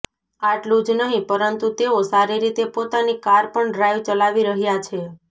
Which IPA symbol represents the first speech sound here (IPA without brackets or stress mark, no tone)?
a